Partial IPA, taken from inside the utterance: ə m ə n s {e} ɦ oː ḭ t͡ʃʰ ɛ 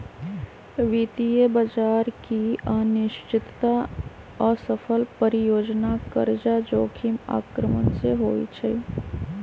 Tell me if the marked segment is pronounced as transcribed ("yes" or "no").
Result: yes